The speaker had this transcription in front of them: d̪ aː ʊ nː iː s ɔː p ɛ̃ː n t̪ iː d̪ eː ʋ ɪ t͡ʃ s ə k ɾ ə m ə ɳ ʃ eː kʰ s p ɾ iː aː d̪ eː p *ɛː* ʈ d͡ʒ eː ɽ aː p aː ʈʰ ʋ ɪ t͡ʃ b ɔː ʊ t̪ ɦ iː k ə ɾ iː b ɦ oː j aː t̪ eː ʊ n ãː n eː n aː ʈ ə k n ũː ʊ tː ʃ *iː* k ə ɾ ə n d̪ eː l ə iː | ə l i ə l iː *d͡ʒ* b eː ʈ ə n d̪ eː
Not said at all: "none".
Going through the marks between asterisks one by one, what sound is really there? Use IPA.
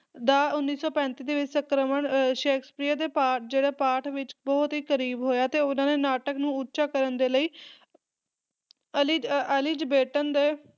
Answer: aː, aː, d͡ʒ

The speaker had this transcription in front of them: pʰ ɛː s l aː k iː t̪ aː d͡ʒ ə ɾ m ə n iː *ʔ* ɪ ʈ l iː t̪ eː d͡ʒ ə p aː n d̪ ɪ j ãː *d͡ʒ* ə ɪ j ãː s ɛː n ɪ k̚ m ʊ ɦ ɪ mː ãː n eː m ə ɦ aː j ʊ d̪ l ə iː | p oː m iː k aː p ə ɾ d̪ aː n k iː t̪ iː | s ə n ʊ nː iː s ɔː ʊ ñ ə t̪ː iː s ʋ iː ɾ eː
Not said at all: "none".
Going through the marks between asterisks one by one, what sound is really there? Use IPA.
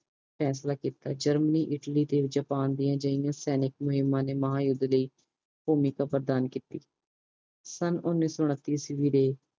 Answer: ʔ, d͡ʒ

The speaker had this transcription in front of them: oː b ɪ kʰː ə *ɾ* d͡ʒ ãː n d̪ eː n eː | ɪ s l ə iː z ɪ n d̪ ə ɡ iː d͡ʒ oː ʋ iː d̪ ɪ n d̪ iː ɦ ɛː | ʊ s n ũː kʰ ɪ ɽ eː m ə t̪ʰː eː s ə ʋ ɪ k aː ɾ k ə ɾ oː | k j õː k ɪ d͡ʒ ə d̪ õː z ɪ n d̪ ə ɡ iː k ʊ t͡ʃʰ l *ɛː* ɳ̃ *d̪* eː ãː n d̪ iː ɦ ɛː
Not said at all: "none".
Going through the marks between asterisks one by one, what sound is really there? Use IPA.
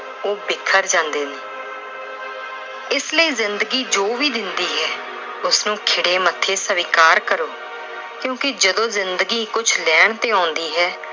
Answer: ɾ, ɛː, t̪

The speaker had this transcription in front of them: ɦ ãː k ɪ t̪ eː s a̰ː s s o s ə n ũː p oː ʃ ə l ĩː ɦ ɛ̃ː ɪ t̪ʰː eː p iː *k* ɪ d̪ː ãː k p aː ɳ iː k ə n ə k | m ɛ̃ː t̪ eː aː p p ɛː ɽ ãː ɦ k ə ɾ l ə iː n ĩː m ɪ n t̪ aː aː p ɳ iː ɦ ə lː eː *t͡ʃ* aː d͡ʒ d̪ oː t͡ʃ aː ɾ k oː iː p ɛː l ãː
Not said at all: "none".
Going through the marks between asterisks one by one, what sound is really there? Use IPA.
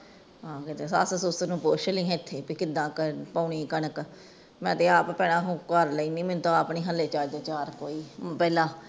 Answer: k, t͡ʃ

